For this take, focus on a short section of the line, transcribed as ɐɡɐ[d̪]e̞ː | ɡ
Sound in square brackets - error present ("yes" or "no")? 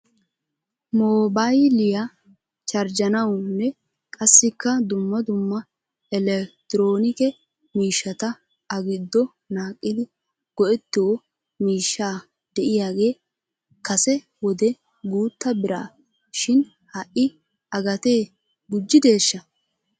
yes